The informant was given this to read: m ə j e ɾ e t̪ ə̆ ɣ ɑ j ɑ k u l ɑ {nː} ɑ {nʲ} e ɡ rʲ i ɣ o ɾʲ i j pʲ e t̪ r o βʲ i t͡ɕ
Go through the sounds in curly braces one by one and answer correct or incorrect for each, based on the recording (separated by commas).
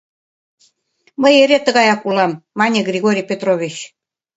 incorrect, correct